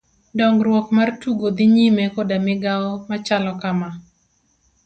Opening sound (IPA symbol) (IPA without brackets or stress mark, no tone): d